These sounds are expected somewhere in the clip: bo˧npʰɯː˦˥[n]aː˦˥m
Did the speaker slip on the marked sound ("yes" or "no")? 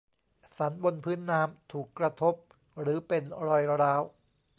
yes